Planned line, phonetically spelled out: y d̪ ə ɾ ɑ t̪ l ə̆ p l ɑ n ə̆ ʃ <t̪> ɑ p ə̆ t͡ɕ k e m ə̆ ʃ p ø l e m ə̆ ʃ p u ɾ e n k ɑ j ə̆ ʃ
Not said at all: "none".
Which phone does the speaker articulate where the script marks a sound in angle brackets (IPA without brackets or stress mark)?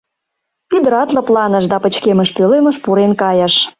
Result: d̪